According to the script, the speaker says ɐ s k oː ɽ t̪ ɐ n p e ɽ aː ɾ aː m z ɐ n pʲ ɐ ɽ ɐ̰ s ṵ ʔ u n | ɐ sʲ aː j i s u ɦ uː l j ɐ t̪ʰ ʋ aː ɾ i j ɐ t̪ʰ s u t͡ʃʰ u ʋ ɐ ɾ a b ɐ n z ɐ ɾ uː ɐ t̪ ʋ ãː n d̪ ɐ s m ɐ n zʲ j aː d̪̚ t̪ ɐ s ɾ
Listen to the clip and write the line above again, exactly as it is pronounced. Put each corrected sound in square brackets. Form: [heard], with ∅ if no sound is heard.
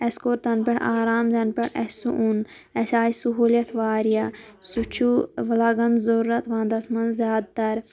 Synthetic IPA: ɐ s k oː [ɾ] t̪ ɐ n p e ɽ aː ɾ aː m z ɐ n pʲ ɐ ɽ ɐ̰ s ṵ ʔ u n | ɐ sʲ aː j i s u ɦ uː l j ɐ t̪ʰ ʋ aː ɾ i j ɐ [∅] s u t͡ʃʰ u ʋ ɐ [l] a [ɡ] ɐ n z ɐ ɾ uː ɐ t̪ ʋ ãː n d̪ ɐ s m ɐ n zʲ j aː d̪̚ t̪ ɐ [∅] ɾ